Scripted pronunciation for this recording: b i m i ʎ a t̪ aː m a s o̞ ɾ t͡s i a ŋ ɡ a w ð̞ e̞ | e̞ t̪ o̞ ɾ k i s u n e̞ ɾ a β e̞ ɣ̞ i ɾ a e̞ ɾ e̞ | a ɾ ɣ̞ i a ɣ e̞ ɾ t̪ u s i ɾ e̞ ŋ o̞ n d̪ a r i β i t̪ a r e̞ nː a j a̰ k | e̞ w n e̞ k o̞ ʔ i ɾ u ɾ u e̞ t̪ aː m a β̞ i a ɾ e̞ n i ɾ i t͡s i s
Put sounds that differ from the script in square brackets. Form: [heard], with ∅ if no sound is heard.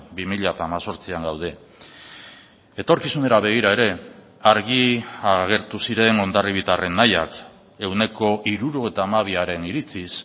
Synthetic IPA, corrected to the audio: b i m i ʎ a t̪ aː m a s o̞ ɾ t͡s i a ŋ ɡ a w ð̞ e̞ | e̞ t̪ o̞ ɾ k i s u n e̞ ɾ a β e̞ ɣ̞ i ɾ a e̞ ɾ e̞ | a ɾ ɣ̞ i a ɣ e̞ ɾ t̪ u s i ɾ e̞ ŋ o̞ n d̪ a r i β i t̪ a r e̞ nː a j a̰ k | e̞ w n e̞ k o̞ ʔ i ɾ u ɾ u e̞ t̪ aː m a β̞ i a ɾ e̞ n i ɾ i t͡s i s